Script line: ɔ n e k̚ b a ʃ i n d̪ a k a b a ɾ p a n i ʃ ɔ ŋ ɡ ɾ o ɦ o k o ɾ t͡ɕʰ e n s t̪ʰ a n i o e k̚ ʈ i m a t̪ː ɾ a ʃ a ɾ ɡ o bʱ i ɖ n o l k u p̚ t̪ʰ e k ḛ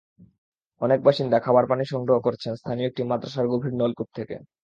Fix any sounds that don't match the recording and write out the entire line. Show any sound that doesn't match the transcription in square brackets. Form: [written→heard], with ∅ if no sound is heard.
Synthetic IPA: ɔ n e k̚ b a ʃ i n d̪ a [k→kʰ] a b a ɾ p a n i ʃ ɔ ŋ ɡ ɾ o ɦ o k o ɾ t͡ɕʰ e n s t̪ʰ a n i o e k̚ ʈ i m a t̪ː ɾ a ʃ a ɾ ɡ o bʱ i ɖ n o l k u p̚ t̪ʰ e k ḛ